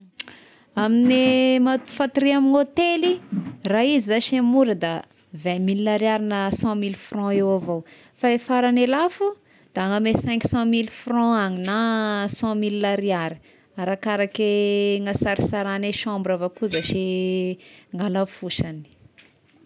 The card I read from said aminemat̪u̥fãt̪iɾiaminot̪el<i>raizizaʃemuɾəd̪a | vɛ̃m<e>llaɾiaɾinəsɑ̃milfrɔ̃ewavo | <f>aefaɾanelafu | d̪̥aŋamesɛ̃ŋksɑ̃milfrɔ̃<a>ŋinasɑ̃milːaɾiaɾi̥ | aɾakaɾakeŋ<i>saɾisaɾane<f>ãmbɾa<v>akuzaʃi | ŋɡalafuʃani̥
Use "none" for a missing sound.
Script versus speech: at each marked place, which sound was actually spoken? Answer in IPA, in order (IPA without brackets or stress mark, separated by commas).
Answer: i, i, f, a, a, ʃ, v